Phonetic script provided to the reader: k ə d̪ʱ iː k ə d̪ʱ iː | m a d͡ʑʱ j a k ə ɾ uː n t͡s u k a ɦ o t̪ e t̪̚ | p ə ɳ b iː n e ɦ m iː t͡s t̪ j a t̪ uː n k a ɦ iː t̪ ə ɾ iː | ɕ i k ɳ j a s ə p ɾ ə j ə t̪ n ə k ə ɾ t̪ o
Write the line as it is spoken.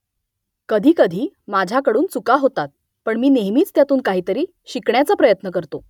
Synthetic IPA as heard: k ə d̪ʱ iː k ə d̪ʱ iː | m a d͡ʑʱ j a k ə ɽ uː n t͡s u k a ɦ o t̪ a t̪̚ | p ə ɳ m iː n e ɦ m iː t͡s t̪ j a t̪ uː n k a ɦ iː t̪ ə ɾ iː | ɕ i k ɳ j a t͡s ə p ɾ ə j ə t̪ n ə k ə ɾ t̪ o